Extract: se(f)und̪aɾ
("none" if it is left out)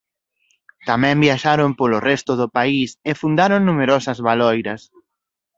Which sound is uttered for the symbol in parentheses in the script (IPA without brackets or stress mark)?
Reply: f